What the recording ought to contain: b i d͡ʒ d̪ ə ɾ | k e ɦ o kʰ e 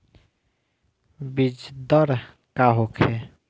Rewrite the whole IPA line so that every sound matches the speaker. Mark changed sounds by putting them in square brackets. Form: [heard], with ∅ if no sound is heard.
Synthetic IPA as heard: b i d͡ʒ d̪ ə ɾ | k [a] ɦ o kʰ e

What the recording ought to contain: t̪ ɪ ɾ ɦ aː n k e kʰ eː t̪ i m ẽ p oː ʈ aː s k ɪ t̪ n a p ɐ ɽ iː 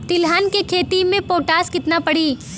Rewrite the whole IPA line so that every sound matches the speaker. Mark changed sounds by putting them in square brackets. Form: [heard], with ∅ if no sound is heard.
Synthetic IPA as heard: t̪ ɪ [l] ɦ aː n k e kʰ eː t̪ i m ẽ p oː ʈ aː s k ɪ t̪ n a p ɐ ɽ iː

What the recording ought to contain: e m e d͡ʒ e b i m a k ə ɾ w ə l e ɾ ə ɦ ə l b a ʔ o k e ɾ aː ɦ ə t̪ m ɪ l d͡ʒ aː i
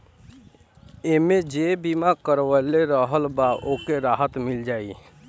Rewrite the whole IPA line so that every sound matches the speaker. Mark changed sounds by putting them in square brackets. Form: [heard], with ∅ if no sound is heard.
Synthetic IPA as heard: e m e d͡ʒ e b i m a k ə ɾ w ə l e ɾ ə ɦ ə l b a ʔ o k e ɾ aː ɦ ə t̪ m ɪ l d͡ʒ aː i

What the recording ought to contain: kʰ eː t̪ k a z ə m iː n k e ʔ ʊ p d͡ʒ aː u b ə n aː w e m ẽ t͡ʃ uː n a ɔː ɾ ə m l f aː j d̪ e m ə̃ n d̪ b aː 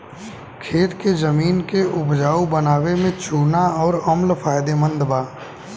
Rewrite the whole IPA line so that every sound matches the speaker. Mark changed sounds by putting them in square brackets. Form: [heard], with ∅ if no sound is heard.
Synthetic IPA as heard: kʰ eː t̪ k [e] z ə m iː n k e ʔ ʊ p d͡ʒ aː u b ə n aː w e m ẽ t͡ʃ uː n a ɔː ɾ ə m l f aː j d̪ e m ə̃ n d̪ b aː

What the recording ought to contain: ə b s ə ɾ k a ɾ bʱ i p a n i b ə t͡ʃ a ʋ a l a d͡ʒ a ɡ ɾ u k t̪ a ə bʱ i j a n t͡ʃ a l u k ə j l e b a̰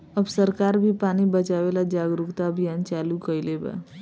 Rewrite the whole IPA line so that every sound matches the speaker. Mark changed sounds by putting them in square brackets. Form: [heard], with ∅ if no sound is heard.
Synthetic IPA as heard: ə b s ə ɾ k a ɾ bʱ i p a n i b ə t͡ʃ a ʋ [e] l a d͡ʒ a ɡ ɾ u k t̪ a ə bʱ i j a n t͡ʃ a l u k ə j l e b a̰

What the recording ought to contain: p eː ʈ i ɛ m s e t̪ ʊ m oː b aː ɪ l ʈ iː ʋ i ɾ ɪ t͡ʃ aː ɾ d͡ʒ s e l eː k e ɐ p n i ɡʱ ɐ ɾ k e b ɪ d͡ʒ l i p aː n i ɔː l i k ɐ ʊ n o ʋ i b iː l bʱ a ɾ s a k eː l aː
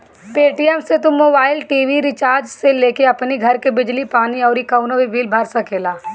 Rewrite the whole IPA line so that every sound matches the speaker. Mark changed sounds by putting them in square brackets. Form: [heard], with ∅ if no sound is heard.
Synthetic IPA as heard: p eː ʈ i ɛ m s e t̪ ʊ m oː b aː ɪ l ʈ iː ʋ i ɾ ɪ t͡ʃ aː ɾ d͡ʒ s e l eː k e ɐ p n i ɡʱ ɐ ɾ k e b ɪ d͡ʒ l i p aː n i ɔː [ɾ] i k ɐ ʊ n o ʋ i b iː l bʱ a ɾ s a k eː l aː

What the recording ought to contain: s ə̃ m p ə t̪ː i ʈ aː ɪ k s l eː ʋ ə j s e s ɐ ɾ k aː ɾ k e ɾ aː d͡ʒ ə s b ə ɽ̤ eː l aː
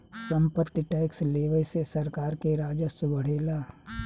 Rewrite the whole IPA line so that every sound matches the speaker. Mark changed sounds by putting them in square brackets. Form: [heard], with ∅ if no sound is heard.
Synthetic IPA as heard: s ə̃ m p ə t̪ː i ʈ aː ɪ k s l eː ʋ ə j s e s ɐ ɾ k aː ɾ k e ɾ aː d͡ʒ ə s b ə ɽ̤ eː l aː

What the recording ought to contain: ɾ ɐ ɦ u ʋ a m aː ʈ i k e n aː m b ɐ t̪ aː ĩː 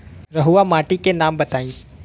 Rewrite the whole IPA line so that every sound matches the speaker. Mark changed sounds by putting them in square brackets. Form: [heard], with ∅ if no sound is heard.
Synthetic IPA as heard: ɾ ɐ ɦ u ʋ a m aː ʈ i k e n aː m b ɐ t̪ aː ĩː

